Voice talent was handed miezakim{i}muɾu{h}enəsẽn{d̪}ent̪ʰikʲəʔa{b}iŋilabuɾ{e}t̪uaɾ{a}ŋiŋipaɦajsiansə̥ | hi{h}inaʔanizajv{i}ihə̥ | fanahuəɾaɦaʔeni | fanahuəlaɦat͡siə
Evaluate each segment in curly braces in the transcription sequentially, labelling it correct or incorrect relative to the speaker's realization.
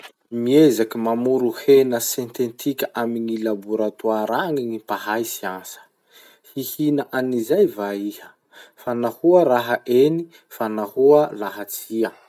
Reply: incorrect, correct, incorrect, incorrect, incorrect, correct, correct, incorrect

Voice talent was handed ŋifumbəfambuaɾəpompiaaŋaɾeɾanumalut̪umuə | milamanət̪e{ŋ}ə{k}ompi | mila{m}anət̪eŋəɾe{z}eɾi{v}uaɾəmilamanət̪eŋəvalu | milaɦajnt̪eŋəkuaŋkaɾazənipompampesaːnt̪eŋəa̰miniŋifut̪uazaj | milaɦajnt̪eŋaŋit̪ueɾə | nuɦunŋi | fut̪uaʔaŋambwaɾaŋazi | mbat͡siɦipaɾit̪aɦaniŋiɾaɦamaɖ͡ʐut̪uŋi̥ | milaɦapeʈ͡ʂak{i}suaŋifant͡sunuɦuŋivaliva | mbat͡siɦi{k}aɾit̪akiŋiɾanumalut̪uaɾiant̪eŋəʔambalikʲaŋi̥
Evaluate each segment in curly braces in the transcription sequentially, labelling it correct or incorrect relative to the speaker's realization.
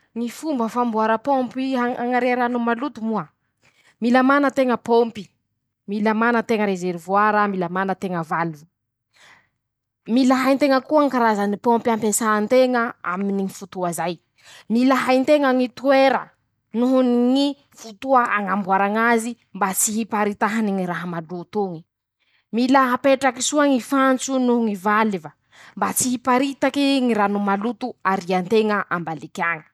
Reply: correct, incorrect, correct, correct, correct, correct, incorrect

